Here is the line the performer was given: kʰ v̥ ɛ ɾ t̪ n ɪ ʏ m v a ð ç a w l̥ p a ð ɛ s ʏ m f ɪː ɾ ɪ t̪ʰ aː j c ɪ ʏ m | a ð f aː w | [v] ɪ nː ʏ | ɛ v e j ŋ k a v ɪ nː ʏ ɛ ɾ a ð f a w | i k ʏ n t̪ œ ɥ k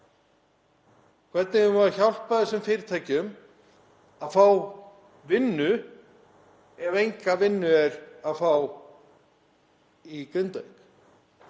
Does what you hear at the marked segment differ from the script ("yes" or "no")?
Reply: no